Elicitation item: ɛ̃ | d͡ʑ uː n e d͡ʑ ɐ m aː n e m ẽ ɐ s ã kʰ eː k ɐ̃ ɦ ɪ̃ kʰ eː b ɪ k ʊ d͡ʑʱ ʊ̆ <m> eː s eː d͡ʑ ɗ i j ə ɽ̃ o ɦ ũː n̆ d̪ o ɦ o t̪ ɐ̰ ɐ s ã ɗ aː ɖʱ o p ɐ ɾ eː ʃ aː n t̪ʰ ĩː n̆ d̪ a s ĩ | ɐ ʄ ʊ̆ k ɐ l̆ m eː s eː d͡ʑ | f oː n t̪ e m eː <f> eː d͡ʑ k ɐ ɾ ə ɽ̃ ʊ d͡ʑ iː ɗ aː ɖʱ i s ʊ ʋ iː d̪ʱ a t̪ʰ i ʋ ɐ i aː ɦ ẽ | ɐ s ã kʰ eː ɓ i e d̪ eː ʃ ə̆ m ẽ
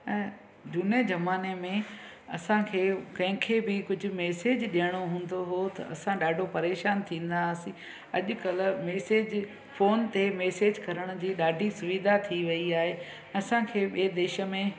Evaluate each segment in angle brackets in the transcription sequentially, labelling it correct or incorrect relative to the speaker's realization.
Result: correct, incorrect: s

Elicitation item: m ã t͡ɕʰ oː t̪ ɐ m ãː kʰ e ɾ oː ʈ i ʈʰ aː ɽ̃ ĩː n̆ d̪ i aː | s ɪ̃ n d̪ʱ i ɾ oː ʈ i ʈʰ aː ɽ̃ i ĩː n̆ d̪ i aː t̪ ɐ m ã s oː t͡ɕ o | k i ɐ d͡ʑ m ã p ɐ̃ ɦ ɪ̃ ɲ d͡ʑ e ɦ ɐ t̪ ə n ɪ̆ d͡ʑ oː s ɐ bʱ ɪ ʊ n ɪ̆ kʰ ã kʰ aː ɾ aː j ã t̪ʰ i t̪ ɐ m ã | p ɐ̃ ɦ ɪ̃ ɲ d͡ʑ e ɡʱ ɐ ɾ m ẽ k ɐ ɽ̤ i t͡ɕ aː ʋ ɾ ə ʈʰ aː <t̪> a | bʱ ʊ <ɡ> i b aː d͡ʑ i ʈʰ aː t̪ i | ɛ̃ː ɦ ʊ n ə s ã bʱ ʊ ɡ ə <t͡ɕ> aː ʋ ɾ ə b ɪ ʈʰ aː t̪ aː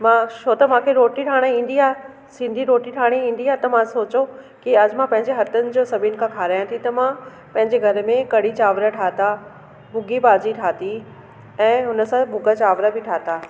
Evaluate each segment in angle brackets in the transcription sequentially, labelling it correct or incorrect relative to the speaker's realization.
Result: correct, correct, correct

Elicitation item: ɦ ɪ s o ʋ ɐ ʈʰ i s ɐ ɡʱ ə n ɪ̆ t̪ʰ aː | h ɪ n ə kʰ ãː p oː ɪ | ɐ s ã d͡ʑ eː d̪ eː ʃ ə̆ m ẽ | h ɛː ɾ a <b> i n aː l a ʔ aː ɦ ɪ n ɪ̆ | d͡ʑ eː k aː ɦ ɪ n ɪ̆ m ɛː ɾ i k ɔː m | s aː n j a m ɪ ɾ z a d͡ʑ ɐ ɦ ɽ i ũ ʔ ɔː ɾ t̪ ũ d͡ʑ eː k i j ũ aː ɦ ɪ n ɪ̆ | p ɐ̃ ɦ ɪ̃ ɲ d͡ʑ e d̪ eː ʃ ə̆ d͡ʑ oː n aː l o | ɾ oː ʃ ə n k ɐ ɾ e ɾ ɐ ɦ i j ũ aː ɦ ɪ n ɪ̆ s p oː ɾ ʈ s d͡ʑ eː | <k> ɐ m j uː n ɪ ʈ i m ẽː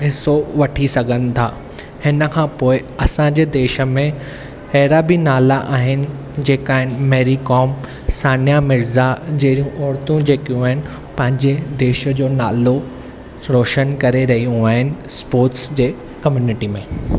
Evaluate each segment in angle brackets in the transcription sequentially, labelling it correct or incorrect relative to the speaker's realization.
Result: correct, correct

